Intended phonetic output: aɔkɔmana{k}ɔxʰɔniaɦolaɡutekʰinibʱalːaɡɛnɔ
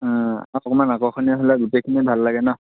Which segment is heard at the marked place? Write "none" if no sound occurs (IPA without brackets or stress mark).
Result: k